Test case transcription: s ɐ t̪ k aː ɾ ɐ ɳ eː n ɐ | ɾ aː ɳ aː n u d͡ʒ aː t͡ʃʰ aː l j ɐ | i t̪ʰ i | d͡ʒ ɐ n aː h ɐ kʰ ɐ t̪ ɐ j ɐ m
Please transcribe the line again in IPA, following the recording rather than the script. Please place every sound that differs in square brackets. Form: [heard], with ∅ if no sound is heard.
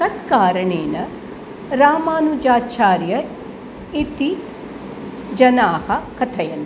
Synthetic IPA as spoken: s ɐ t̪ k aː ɾ ɐ ɳ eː n ɐ | ɾ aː [m] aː n u d͡ʒ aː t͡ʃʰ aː [ɾ] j ɐ | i [t̪] i | d͡ʒ ɐ n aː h ɐ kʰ ɐ [t̪ʰ] ɐ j ɐ [n]